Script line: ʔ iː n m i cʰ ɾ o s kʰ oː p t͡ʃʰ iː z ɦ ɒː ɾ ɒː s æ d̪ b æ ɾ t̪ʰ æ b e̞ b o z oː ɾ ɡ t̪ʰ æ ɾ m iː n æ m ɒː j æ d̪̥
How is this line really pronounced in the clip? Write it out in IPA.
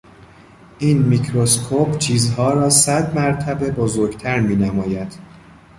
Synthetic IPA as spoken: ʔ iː n m i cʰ ɾ o s kʰ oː p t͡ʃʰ iː z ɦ ɒː ɾ ɒː s æ d̪ m æ ɾ t̪ʰ æ b e̞ b o z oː ɾ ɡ t̪ʰ æ ɾ m iː n æ m ɒː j æ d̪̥